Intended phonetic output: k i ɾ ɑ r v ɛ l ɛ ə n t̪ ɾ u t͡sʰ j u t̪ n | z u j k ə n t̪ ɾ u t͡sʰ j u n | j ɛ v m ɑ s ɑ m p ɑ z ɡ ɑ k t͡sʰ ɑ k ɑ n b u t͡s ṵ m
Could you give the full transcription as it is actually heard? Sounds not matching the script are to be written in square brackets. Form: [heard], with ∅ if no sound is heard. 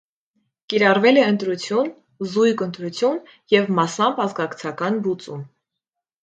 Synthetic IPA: k i ɾ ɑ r v ɛ l ɛ ə n t̪ ɾ u t͡sʰ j u [∅] n | z u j k ə n t̪ ɾ u t͡sʰ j u n | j ɛ v m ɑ s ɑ m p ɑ z ɡ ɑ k t͡sʰ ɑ k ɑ n b u t͡s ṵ m